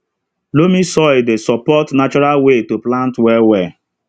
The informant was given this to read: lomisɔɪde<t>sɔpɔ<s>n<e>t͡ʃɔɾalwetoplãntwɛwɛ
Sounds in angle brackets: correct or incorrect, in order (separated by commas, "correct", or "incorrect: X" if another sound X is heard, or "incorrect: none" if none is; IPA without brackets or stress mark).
incorrect: none, incorrect: t, incorrect: a